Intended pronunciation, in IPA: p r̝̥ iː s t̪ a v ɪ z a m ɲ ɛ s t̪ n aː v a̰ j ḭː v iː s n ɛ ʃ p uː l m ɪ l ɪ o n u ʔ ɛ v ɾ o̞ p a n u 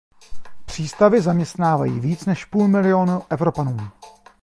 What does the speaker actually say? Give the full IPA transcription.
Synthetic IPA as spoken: p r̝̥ iː s t̪ a v ɪ z a m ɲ ɛ s t̪ n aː v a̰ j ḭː v iː t͡s n ɛ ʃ p uː l m ɪ l ɪ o n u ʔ ɛ v ɾ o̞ p a n uː